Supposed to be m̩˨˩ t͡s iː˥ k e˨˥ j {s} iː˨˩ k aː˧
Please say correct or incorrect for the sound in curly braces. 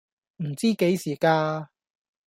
correct